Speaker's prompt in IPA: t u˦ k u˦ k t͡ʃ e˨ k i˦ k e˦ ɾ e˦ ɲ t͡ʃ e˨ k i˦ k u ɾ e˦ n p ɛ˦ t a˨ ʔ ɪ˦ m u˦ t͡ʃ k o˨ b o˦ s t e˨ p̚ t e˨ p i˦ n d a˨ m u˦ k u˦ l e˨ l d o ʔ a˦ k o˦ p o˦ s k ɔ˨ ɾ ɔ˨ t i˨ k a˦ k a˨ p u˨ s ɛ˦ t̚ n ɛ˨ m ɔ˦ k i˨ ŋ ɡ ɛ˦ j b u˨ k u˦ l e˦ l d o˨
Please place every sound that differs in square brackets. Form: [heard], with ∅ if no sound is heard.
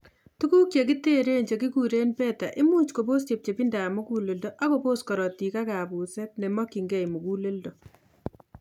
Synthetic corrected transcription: t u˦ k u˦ k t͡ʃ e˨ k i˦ [t] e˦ ɾ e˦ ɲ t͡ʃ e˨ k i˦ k u ɾ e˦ n p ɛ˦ t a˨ ʔ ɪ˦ m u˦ t͡ʃ k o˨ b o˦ s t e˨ p̚ [t͡ʃ] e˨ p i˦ n d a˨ m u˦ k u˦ l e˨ l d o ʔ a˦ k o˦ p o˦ s k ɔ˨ ɾ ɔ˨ t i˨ k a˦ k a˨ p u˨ s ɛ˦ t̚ n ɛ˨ m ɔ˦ k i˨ ŋ ɡ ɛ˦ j [m] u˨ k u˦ l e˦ l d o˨